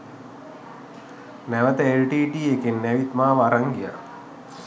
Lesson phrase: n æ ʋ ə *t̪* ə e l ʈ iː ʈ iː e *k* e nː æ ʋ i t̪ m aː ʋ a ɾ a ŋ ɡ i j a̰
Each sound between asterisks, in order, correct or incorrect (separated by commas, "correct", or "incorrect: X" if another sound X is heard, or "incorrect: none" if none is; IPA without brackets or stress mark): correct, correct